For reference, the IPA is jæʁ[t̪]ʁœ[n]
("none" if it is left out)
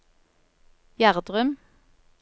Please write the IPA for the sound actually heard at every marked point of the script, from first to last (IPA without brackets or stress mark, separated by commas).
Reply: d̪, m